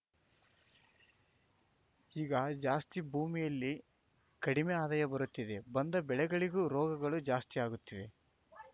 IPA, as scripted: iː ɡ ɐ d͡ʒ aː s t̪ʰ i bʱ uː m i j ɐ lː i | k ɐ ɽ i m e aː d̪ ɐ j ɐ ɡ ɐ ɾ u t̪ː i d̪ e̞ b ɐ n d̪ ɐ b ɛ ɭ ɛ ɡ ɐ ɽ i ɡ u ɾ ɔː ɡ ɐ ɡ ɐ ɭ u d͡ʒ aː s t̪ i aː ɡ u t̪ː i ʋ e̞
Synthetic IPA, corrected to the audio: iː ɡ ɐ d͡ʒ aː s t̪ i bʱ uː m i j ɐ lː i | k ɐ ɽ i m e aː d̪ ɐ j ɐ b ɐ ɾ u t̪ː i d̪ e̞ b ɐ n d̪ ɐ b ɛ ɭ ɛ ɡ ɐ ɭ i ɡ u ɾ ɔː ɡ ɐ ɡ ɐ ɭ u d͡ʒ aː s t̪ i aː ɡ u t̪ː i ʋ e̞